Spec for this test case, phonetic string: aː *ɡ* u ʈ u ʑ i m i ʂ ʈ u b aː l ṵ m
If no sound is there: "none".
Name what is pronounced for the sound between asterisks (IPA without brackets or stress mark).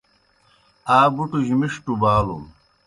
b